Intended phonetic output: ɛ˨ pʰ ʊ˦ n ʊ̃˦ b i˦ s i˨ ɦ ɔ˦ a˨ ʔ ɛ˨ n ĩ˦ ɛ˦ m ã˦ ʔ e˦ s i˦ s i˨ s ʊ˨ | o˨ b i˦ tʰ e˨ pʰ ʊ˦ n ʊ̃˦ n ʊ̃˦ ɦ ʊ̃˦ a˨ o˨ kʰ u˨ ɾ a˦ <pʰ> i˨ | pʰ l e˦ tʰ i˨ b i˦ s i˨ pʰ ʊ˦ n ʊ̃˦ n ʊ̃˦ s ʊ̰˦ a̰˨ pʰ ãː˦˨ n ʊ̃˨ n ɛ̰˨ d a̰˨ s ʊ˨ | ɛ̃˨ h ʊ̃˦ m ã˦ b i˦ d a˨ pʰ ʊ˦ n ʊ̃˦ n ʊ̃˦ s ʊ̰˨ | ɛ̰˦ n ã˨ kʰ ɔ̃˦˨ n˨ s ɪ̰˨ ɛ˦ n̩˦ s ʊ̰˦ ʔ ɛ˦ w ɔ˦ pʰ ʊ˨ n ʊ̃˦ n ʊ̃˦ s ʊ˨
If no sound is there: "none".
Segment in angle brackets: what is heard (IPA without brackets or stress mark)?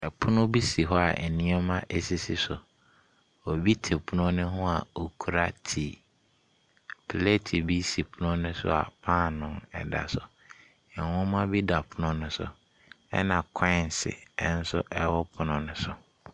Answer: tʰ